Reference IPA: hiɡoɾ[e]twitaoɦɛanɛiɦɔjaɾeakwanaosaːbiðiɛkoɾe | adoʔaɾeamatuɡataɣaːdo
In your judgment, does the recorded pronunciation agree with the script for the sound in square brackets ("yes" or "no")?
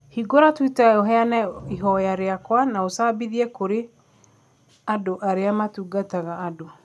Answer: no